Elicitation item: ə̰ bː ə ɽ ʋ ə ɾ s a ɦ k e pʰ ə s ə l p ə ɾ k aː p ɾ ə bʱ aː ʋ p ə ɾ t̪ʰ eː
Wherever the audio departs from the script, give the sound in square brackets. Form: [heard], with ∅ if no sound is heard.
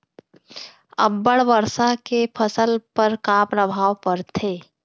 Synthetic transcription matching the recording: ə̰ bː ə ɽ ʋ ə ɾ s a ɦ k e pʰ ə s ə l p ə ɾ k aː p ɾ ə bʱ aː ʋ p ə ɾ t̪ʰ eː